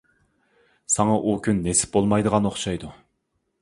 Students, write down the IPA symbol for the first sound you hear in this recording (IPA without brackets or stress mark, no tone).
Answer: s